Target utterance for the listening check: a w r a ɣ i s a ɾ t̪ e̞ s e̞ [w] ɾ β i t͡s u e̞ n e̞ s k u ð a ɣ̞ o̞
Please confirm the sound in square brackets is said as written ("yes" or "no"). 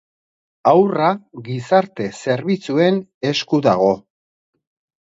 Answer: no